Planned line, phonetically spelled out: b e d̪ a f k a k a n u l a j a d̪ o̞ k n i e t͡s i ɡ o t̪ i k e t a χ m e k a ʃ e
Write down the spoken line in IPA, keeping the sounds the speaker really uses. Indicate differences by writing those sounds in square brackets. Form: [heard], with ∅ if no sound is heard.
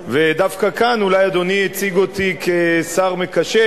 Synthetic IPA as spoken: [v] e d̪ a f k a k a n u l a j a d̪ o̞ [∅] n i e t͡s i ɡ o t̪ i k e [s] a [ʁ] m e k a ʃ e